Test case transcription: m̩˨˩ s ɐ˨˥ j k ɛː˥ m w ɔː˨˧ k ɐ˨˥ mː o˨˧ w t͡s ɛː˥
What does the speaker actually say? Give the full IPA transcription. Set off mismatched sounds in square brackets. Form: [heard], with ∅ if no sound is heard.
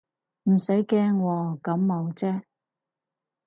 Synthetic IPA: m̩˨˩ s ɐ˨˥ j k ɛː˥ [ŋ] w ɔː˨˧ k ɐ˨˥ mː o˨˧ w t͡s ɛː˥